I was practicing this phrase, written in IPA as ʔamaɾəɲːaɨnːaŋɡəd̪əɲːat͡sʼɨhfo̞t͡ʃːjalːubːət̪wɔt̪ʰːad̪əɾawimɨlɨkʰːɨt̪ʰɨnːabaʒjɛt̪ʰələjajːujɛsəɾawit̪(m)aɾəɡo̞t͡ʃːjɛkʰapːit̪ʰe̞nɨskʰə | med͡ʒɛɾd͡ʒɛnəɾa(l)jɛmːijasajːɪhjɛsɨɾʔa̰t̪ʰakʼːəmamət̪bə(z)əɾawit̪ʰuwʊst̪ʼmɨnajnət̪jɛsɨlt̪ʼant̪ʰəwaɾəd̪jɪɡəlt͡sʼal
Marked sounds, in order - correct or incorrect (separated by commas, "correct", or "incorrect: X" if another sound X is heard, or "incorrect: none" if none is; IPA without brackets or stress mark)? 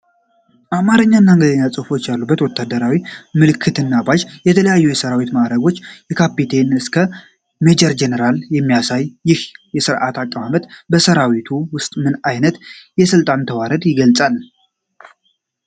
correct, correct, incorrect: s